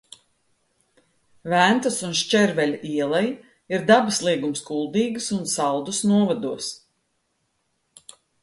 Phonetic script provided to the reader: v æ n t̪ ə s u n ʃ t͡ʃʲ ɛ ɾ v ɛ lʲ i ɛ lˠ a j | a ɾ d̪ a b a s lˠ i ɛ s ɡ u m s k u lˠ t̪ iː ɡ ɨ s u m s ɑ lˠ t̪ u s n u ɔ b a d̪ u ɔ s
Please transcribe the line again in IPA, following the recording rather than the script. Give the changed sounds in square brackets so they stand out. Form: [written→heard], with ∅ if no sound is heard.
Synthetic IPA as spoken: v æ n t̪ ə s u n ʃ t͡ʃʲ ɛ ɾ v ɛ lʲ i ɛ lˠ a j | [a→i] ɾ d̪ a b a s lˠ i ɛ [s→∅] ɡ u m s k u lˠ [t̪→d̪] iː ɡ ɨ s u [m→n] s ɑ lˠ [t̪→d̪] u s n u ɔ [b→v] a d̪ u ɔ s